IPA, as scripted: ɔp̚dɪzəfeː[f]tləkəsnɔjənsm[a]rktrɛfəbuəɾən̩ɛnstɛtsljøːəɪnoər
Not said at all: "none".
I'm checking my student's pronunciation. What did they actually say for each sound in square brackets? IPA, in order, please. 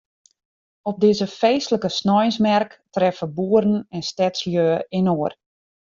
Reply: s, ɛ

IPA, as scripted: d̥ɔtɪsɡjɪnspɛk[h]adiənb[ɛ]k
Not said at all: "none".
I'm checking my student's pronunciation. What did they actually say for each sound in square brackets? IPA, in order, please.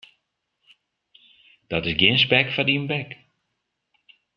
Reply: f, ɛ

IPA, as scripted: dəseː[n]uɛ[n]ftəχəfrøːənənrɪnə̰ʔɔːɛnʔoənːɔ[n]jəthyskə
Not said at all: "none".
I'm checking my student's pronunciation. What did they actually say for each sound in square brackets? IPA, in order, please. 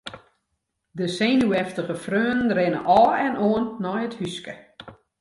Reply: n, none, none

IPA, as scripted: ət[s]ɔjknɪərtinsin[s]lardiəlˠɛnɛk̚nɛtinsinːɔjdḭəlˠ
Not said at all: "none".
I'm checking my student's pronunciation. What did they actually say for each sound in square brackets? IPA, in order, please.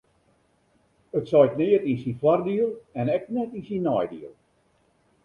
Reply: s, f

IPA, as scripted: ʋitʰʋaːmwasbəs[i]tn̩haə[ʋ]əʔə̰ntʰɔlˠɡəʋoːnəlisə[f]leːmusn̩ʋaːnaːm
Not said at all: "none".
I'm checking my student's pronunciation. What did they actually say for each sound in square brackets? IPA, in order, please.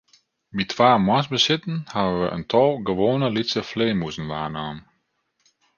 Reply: ɪ, ʋ, f

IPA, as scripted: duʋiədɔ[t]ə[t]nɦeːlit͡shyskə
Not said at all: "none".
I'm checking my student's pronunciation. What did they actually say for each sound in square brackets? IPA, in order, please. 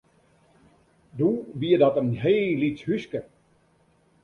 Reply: t, none

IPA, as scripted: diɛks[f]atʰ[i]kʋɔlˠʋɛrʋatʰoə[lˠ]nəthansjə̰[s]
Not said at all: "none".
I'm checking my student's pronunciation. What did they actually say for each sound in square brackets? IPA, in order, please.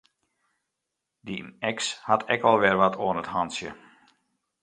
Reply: h, ɛ, none, none

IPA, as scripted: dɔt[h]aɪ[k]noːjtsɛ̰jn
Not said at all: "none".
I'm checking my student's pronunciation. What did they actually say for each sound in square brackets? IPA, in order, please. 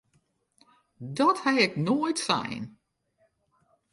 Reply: h, k

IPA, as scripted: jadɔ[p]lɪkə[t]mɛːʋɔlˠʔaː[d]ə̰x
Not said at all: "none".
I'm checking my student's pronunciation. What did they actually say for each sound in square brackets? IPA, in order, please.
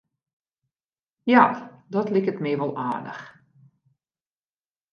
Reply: t, t, d

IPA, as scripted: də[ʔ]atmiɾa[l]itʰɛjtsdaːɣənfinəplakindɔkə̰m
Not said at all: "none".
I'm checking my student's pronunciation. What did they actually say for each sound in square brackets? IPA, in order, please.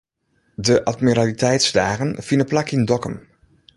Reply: ʔ, l

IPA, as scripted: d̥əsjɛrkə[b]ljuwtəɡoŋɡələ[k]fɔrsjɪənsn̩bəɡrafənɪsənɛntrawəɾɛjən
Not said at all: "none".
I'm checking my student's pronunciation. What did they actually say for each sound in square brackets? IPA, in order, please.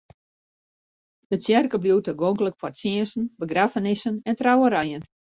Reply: b, k

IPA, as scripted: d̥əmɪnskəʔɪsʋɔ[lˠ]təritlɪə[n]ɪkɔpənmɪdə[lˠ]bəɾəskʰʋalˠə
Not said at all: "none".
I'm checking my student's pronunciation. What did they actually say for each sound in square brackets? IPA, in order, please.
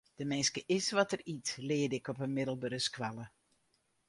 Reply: none, d, lˠ

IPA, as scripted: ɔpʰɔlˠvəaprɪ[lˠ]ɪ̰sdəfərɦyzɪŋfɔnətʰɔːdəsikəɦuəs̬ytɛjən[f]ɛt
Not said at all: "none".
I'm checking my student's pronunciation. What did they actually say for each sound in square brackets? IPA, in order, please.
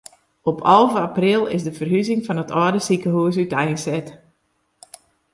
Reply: lˠ, s

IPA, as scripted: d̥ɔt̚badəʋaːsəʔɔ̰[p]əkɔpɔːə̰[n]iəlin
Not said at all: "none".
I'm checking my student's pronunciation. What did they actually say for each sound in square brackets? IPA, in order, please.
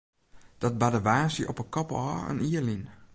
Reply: p, n

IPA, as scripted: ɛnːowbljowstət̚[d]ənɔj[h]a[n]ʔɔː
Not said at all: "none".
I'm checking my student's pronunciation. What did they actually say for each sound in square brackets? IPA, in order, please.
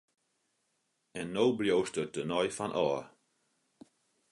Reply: d, f, n

